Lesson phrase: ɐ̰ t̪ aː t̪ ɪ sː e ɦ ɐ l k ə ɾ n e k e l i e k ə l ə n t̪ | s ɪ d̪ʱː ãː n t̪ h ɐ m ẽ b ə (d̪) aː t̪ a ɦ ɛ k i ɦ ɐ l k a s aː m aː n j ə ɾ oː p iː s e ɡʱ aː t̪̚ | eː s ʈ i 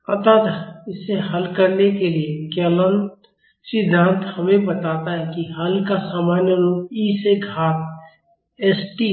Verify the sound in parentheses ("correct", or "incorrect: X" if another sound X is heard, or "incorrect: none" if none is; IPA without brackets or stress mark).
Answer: incorrect: t̪